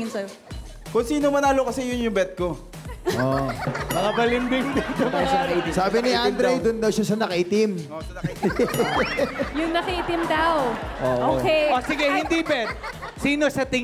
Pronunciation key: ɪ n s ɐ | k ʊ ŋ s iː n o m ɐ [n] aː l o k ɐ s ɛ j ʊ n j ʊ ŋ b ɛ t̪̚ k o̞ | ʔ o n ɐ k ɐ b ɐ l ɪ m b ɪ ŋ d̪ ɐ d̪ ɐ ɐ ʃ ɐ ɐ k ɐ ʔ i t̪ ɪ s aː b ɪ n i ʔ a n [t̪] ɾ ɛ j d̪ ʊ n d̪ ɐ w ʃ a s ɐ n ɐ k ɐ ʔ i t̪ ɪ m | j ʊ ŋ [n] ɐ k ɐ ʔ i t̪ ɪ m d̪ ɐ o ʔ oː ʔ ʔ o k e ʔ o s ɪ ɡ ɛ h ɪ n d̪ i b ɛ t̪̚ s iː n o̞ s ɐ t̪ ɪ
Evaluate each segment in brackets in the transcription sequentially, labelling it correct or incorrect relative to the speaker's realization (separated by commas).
correct, incorrect, correct